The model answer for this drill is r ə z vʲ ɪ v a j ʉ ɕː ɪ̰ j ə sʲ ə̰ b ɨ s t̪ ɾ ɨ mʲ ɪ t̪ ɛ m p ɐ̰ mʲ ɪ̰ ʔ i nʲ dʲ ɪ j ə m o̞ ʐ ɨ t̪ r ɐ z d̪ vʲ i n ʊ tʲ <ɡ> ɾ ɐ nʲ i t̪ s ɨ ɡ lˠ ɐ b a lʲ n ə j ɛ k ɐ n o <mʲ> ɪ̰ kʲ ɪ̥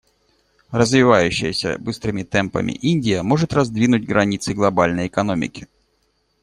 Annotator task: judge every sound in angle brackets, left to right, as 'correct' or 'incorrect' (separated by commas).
correct, correct